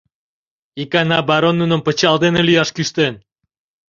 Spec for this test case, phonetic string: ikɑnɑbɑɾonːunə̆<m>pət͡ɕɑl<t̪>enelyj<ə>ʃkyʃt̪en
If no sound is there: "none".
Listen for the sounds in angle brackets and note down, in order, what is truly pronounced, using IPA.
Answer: m, d̪, ɑ

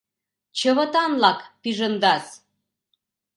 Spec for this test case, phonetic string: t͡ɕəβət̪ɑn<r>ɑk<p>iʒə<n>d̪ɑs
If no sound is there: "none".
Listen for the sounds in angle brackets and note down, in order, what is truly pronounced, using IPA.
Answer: l, p, n

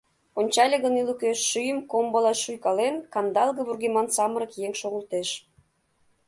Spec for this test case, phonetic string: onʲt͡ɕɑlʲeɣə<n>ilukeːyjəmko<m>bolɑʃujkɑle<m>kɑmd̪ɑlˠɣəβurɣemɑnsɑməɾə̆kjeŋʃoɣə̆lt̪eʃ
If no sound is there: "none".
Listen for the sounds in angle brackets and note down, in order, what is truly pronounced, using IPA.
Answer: n, m, n

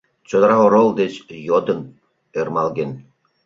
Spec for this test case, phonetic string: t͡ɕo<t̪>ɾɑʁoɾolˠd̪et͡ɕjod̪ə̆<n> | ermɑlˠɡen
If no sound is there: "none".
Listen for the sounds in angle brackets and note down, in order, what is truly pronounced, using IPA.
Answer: d̪, n

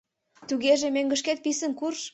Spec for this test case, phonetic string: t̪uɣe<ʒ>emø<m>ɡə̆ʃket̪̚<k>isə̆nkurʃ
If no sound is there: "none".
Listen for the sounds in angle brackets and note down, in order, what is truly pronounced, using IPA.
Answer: ʒ, ŋ, p

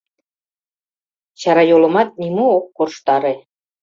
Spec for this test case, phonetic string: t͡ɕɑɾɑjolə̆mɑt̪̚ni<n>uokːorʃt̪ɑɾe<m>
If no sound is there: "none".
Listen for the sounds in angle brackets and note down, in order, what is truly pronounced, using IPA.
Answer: m, none

